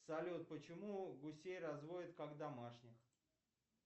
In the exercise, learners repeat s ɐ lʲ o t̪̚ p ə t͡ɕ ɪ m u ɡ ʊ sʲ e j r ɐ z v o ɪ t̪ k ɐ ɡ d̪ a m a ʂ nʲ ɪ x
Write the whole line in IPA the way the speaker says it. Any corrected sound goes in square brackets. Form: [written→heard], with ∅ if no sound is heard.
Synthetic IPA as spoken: s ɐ lʲ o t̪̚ p ə t͡ɕ ɪ m u ɡ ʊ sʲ e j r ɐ z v o ɪ t̪ k [ɐ→a] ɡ d̪ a m a ʂ nʲ ɪ x